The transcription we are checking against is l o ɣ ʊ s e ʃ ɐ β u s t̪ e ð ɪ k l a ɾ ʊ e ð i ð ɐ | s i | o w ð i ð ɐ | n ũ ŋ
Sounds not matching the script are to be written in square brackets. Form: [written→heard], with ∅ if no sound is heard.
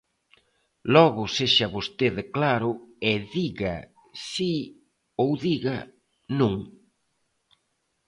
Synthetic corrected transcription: l [o→ɔ] ɣ ʊ s e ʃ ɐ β [u→o] s t̪ e ð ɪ k l a ɾ ʊ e ð i [ð→ɣ] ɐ | s i | o w ð i [ð→ɣ] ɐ | n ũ ŋ